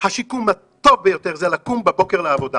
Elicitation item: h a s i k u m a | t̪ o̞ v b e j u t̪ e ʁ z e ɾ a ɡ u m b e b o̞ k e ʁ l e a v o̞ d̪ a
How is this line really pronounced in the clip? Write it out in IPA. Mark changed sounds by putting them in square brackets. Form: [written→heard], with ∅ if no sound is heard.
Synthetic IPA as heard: h a [s→ʃ] i k u m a | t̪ o̞ v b e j [u→o] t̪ e ʁ z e [ɾ→l] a [ɡ→k] u m b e b o̞ k e ʁ l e a v o̞ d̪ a

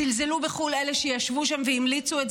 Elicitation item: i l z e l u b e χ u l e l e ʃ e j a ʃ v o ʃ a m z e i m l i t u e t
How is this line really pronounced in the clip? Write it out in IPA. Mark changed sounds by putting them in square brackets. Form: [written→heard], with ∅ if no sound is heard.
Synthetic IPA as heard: i l z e l u b e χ u l e l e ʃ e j a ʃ v [o→u] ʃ a m [z→v] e i m l i [t→t͡s] u e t

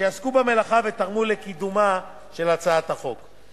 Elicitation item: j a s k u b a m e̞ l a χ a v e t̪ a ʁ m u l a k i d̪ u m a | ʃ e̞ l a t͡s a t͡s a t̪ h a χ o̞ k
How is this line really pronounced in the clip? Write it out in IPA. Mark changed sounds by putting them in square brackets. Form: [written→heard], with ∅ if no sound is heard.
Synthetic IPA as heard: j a s k u b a m e̞ l a χ a v e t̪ a ʁ m u l [a→e] k i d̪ u m a | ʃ e̞ l a t͡s a [t͡s→∅] a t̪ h a χ o̞ k

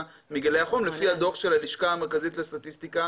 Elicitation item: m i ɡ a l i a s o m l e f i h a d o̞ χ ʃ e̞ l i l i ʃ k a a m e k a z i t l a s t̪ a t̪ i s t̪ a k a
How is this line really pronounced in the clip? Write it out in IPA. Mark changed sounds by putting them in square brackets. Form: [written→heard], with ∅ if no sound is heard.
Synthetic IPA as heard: m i ɡ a l [i→e] a [s→χ] o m l e f i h a d o̞ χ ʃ e̞ l [i→a] l i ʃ k a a m e k a z i t l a s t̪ a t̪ i s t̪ [a→i] k a

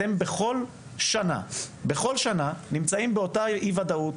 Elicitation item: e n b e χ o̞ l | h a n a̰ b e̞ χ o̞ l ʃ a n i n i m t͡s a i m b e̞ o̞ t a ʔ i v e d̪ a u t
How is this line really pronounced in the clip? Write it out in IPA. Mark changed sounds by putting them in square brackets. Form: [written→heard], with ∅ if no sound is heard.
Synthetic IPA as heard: e [n→m] b e χ o̞ l | [h→ʃ] a n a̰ b e̞ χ o̞ l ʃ a n [i→a] n i m t͡s a i m b e̞ o̞ t a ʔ i v [e→a] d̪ a u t

